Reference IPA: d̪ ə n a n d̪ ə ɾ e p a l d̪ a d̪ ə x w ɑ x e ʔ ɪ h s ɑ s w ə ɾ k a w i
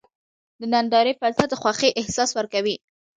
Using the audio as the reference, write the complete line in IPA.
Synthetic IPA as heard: d̪ ə n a n d̪ ɑ ɾ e p a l t̪ a d̪ ə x w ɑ x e ʔ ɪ h s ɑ s w ə ɾ k a w i